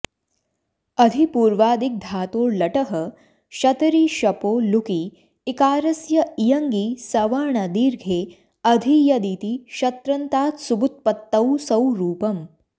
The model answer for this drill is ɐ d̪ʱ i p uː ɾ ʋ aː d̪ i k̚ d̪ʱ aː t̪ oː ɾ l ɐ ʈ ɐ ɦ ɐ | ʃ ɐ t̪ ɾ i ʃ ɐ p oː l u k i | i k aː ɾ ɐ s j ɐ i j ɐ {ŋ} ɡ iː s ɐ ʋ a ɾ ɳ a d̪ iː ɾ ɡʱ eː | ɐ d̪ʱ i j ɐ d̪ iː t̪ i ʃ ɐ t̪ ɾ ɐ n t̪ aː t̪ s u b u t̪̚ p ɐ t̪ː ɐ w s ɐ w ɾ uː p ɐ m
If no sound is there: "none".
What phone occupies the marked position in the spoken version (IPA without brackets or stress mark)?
ŋ